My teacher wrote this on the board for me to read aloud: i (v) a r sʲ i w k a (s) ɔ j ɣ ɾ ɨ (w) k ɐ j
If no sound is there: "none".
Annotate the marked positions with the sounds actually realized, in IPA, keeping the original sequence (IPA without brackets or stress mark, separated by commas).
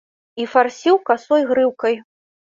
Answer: f, s, w